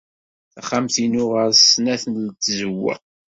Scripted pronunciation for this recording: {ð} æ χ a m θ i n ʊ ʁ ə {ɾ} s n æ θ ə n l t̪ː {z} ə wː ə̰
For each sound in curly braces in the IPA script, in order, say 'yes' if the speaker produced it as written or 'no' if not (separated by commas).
no, yes, yes